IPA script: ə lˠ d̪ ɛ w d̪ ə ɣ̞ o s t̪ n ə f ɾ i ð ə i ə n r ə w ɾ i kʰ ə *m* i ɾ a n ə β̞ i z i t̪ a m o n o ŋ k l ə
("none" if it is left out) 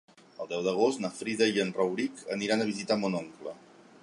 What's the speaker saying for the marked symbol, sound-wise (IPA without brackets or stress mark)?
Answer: n